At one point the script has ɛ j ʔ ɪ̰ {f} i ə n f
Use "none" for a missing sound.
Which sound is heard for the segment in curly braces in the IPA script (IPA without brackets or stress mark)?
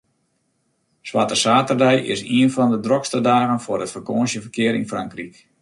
s